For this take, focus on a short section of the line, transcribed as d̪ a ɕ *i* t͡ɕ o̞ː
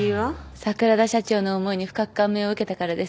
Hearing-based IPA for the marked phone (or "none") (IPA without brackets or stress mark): a